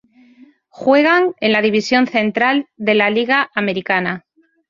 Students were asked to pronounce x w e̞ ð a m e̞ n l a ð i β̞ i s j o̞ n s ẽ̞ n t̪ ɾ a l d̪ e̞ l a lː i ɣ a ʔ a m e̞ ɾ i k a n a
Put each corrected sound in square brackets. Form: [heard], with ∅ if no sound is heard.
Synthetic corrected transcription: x w e̞ [ɣ] a [ŋ] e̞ n l a ð i β̞ i s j o̞ n [θ] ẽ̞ n t̪ ɾ a l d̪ e̞ l a [l] i ɣ a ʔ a m e̞ ɾ i k a n a